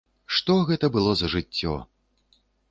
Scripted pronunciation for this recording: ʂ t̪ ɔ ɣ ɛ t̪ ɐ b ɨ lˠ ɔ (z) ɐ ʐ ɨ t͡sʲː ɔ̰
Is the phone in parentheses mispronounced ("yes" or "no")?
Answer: no